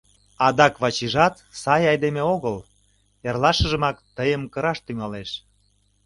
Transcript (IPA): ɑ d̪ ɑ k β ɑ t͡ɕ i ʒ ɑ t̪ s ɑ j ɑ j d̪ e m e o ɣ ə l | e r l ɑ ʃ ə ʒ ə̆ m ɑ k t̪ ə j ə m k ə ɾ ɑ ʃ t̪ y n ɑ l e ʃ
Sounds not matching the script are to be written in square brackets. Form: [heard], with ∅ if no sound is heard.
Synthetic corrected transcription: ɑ d̪ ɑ k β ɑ t͡ɕ i ʒ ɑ t̪ s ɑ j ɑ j d̪ e m e o ɣ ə l | e r l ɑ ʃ ə ʒ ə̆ m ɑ k t̪ ə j ə m k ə ɾ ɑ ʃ t̪ y [ŋ] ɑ l e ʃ